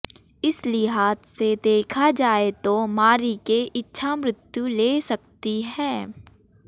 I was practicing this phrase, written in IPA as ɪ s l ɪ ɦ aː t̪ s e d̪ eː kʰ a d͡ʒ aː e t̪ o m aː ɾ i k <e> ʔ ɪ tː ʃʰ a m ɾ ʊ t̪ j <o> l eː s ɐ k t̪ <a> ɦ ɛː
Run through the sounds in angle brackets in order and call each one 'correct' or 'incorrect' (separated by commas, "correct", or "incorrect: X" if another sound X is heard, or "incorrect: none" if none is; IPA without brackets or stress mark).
correct, incorrect: u, incorrect: i